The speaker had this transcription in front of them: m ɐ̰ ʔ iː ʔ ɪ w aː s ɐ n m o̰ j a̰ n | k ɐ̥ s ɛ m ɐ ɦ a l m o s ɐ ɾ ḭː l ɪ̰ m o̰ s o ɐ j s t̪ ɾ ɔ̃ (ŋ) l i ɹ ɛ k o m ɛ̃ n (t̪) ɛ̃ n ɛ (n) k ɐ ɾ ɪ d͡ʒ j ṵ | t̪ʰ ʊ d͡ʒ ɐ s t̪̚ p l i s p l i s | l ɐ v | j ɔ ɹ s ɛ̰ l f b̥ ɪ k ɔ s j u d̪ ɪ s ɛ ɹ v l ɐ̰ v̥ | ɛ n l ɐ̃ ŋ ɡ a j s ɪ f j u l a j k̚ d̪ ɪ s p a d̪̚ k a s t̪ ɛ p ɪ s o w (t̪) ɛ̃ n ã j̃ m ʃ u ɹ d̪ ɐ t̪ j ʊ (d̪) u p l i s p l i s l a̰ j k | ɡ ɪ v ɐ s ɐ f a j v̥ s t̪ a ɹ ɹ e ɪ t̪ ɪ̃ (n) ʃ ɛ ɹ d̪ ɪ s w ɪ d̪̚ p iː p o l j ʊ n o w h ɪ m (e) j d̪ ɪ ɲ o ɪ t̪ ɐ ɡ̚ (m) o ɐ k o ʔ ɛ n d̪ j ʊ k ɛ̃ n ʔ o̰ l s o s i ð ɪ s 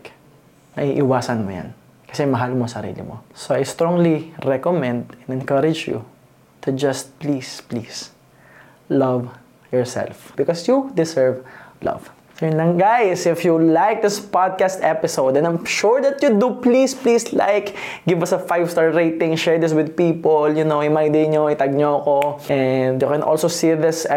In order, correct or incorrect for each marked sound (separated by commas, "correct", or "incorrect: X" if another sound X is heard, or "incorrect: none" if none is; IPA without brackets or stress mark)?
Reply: correct, incorrect: d̪, correct, incorrect: d̪, correct, incorrect: ŋ, incorrect: a, incorrect: ɲ